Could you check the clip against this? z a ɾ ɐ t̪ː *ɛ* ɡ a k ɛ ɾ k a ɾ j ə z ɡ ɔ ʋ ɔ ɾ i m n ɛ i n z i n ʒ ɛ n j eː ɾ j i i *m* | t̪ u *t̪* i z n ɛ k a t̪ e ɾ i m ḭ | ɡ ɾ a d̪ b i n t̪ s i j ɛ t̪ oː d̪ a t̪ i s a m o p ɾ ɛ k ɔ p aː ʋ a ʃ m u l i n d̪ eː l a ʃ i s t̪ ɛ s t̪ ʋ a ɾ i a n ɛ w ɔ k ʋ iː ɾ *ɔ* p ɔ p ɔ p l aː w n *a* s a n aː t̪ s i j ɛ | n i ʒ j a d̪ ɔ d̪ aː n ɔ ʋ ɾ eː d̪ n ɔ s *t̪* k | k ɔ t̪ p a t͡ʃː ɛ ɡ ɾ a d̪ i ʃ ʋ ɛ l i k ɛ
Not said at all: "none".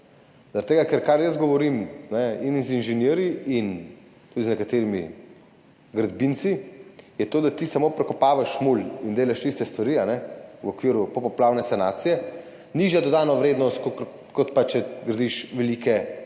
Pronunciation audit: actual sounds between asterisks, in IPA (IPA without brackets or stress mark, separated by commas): e, n, d̪, u, ɛ, t̪